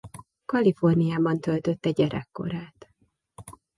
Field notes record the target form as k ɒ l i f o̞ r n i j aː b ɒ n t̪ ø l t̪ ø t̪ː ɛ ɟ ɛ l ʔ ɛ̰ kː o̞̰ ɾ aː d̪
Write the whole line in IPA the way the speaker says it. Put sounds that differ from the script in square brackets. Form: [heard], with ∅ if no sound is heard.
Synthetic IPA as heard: k ɒ l i f o̞ r n i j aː b ɒ n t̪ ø l t̪ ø t̪ː ɛ ɟ ɛ [ɾ] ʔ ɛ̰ kː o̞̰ ɾ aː [t̪]